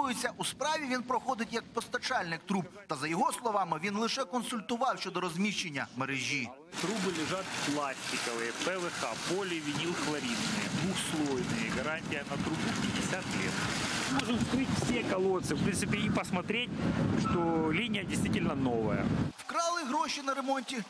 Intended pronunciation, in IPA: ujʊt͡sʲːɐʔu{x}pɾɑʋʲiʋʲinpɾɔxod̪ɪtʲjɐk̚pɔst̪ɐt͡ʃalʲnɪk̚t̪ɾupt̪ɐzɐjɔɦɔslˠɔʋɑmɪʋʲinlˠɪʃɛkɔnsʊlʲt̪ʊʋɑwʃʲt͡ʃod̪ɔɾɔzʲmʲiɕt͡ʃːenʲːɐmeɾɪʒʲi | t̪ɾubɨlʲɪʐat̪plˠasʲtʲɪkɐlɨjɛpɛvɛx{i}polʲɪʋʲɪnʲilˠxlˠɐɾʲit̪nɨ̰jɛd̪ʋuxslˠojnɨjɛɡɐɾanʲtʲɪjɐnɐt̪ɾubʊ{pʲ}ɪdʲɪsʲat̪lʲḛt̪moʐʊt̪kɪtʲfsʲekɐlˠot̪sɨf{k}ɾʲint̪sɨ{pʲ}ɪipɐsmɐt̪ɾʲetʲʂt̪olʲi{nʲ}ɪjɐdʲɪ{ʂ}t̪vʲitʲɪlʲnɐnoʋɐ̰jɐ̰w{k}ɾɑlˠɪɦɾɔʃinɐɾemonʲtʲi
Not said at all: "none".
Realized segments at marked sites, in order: s, a, pʲ, p, pʲ, nʲ, s, k

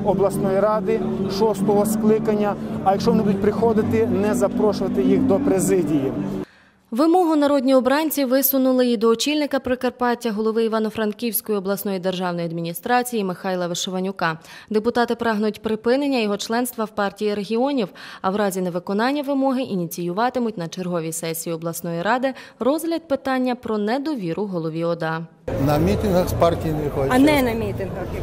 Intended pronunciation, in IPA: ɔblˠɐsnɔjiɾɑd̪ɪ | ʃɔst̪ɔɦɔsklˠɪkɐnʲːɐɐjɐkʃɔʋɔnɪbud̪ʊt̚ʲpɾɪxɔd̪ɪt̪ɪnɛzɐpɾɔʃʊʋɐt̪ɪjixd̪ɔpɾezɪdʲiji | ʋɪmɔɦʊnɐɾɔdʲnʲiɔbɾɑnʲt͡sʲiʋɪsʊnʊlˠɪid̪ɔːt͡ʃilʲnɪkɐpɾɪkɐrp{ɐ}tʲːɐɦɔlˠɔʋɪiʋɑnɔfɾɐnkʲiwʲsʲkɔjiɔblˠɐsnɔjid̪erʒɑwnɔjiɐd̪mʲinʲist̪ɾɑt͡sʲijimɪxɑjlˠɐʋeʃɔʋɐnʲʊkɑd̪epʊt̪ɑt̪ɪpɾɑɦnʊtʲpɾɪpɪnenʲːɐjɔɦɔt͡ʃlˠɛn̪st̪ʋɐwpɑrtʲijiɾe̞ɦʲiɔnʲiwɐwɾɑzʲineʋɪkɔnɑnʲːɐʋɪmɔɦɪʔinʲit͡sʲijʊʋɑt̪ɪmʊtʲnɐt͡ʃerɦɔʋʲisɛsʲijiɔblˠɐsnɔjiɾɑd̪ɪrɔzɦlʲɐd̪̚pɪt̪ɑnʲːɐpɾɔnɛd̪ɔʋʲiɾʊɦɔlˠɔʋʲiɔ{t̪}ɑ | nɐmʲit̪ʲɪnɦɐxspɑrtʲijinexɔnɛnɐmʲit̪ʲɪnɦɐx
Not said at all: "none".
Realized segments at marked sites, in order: ɑ, d̪

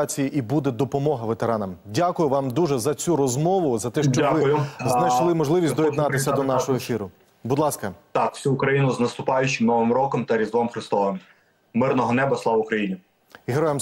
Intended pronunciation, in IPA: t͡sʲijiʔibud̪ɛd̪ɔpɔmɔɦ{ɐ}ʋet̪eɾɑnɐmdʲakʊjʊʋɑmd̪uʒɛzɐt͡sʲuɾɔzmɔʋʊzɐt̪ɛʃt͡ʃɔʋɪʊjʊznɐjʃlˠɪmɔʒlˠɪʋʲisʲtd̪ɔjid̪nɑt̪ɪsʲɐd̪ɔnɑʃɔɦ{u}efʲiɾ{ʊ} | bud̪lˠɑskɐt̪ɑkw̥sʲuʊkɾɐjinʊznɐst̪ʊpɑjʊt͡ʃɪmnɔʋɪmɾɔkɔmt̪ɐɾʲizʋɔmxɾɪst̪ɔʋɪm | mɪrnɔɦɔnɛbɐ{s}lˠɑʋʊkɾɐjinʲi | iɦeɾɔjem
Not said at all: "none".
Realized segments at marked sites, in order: ɐ, ɔ, ʊ, s

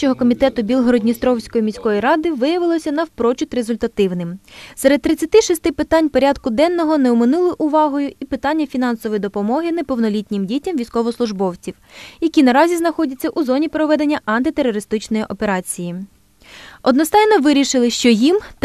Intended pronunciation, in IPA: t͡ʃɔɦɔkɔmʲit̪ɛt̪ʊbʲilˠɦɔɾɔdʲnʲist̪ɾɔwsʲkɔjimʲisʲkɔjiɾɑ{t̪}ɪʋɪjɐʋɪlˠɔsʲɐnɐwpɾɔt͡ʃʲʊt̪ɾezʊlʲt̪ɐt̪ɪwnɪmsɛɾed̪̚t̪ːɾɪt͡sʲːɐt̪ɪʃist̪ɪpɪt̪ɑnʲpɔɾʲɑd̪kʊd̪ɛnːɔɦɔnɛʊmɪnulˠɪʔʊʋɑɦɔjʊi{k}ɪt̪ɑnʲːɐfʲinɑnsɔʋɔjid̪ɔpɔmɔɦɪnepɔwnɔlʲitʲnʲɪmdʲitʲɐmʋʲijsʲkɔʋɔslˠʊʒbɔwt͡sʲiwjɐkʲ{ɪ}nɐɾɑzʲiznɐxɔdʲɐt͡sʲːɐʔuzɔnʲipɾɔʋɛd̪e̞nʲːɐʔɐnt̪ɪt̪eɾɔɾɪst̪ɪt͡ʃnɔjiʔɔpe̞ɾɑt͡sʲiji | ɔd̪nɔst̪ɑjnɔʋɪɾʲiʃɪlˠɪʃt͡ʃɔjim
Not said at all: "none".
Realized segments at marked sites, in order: d̪, p, i

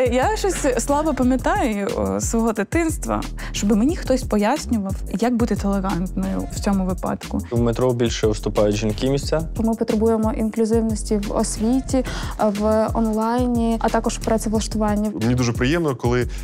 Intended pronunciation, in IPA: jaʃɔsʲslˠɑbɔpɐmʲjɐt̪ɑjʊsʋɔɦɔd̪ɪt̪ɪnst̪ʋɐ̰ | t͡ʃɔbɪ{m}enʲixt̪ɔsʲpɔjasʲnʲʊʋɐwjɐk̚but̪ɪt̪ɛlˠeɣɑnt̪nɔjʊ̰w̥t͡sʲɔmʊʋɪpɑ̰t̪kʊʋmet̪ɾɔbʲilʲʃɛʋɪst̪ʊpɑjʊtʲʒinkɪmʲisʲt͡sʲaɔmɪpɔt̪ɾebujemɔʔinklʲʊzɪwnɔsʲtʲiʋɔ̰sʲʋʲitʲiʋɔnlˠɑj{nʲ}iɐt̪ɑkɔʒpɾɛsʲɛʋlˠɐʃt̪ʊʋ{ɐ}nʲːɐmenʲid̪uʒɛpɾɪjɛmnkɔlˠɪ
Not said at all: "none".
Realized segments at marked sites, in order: m, nʲ, ɑ

